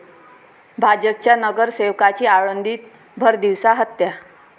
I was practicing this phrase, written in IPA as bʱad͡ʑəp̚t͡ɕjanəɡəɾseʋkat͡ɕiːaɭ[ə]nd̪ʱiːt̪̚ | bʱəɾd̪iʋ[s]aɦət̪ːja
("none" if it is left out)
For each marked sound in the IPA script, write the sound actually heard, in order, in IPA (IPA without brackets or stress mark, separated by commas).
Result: ə, s